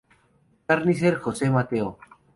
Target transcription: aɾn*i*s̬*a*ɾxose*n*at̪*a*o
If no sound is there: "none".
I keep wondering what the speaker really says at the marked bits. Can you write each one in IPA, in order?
i, e, m, e

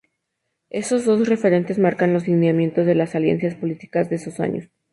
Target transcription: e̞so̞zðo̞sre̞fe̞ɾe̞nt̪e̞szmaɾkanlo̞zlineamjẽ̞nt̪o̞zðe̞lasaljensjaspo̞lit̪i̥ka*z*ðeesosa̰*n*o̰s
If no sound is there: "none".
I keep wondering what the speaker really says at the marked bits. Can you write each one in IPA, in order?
z, ɲ

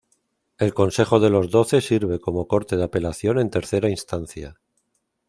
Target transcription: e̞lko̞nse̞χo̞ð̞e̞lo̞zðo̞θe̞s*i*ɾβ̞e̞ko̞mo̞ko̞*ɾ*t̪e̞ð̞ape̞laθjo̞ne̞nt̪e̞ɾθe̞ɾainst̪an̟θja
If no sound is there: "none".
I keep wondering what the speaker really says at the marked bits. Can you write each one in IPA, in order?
i, ɾ

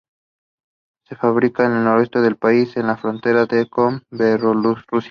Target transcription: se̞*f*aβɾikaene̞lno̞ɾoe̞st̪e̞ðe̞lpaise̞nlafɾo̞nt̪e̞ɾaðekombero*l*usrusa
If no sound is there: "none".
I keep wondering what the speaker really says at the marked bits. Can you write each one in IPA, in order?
f, l

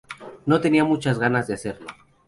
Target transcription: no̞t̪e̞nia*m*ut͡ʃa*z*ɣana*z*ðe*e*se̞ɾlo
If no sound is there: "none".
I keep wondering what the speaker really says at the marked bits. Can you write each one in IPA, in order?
m, z, z, a

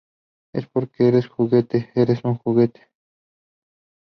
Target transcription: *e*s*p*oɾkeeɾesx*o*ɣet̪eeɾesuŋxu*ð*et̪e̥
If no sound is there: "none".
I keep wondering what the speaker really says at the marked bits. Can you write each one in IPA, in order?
e, p, u, ɣ

